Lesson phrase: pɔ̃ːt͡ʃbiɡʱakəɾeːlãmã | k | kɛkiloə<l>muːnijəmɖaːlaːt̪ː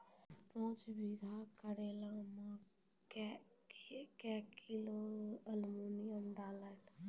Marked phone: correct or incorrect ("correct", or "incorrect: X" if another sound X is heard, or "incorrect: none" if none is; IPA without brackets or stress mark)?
correct